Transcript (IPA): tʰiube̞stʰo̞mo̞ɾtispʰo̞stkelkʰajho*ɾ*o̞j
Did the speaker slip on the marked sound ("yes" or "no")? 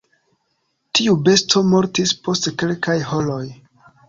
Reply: yes